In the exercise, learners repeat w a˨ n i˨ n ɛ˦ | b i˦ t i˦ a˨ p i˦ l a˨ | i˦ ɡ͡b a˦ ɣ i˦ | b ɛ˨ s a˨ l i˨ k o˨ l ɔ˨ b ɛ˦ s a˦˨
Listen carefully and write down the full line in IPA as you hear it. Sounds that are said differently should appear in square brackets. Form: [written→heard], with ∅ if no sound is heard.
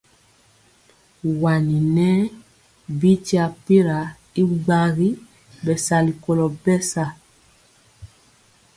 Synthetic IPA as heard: w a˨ n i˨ n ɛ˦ | b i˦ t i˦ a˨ p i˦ [l→ɾ] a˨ | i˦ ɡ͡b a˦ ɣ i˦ | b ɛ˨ s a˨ l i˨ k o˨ l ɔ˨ b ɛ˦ s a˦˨